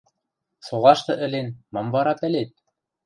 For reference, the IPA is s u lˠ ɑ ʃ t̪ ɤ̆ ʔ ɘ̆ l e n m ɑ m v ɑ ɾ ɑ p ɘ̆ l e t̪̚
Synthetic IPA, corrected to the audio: s o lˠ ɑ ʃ t̪ ɤ̆ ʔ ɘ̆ l e n m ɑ m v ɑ ɾ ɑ p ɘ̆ l e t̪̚